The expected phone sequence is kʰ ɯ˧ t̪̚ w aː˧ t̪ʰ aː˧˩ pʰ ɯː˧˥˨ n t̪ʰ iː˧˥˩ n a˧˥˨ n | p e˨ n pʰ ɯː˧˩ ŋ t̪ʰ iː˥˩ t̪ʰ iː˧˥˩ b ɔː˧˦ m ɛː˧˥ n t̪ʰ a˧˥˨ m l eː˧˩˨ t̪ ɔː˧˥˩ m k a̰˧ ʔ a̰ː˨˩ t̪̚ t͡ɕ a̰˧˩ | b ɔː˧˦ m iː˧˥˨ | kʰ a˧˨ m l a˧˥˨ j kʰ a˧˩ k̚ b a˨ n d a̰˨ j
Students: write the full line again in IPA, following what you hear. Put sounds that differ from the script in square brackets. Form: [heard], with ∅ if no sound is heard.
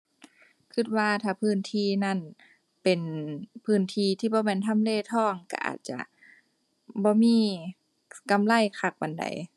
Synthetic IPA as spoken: kʰ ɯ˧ t̪̚ w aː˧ t̪ʰ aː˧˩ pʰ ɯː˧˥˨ n t̪ʰ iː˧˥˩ n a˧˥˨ n | p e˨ n pʰ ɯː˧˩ [n] t̪ʰ [iː˧˩] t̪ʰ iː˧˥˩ b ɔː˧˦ m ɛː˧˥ n t̪ʰ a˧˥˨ m l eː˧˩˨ [t̪ʰ] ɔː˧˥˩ [ŋ] k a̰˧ ʔ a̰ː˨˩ t̪̚ t͡ɕ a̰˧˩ | b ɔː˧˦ m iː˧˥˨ | [k] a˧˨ m l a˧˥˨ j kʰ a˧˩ k̚ b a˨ n d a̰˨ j